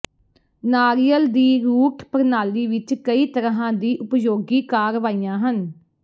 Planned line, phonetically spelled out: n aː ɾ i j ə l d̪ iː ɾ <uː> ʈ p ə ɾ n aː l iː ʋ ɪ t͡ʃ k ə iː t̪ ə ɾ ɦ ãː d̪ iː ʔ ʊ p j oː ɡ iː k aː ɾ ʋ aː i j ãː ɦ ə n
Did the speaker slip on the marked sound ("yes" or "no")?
no